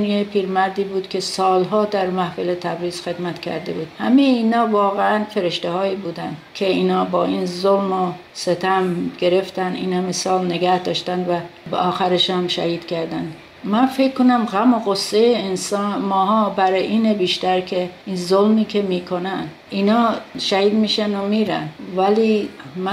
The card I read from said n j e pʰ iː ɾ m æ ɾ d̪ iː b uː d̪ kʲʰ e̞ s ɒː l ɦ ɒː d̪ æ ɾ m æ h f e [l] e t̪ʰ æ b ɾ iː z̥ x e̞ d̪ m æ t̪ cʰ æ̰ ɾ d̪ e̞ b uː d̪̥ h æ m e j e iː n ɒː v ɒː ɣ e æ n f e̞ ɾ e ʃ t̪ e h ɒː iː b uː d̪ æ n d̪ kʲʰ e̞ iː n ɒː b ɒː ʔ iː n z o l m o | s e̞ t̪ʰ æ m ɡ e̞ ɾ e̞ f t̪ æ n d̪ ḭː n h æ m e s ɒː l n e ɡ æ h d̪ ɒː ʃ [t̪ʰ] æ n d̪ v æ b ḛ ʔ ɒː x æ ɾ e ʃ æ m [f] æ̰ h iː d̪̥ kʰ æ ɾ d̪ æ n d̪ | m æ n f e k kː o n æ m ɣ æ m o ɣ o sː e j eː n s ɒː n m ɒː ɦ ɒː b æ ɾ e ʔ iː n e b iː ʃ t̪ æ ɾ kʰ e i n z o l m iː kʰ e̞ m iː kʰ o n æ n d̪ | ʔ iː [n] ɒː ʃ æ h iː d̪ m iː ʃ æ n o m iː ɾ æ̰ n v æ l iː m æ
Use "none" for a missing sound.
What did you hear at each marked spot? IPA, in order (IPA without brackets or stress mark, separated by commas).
l, t̪, ʃ, n